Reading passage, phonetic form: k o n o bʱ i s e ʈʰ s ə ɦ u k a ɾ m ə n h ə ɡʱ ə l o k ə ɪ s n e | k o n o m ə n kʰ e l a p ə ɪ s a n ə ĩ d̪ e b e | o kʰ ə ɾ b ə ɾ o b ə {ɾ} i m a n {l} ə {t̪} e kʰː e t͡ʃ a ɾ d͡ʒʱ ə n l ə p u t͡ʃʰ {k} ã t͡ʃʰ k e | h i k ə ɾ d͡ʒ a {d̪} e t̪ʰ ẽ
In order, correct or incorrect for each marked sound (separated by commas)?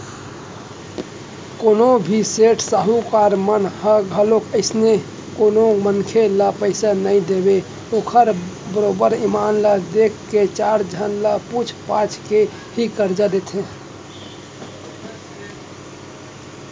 correct, correct, incorrect, incorrect, correct